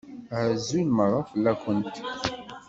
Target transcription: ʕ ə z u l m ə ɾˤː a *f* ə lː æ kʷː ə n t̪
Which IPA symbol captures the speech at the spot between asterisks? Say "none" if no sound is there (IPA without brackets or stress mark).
f